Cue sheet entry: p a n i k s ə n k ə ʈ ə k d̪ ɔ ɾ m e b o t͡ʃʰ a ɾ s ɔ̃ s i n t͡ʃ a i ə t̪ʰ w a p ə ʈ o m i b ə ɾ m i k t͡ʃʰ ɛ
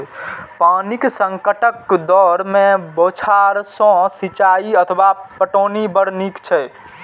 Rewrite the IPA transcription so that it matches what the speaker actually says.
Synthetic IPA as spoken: p a n i k s ə ŋ k ə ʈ ə k d̪ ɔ ɾ m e b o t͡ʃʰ a ɾ s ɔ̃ s i t͡ʃ a i ə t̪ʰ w a p ə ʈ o n i b ə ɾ n i k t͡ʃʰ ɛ